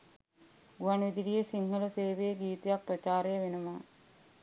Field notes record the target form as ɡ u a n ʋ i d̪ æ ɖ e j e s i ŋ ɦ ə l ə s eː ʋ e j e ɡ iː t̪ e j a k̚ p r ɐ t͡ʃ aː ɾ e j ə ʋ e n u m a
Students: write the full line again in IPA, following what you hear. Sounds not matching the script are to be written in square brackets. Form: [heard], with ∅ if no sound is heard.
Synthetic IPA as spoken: ɡ u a n ʋ i d̪ [i] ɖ [i] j e s i ŋ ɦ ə l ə s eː ʋ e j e ɡ iː t̪ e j a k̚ p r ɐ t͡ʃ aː ɾ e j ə ʋ e n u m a